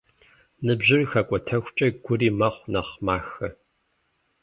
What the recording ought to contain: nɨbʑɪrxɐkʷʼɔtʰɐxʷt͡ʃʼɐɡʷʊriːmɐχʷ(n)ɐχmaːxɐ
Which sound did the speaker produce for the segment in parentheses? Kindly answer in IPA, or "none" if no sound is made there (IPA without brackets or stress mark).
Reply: n